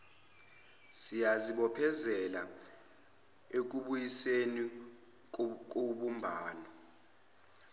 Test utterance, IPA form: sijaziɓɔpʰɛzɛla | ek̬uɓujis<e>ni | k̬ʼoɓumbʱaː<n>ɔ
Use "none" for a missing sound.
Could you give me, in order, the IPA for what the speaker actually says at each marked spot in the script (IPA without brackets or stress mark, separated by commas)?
e, n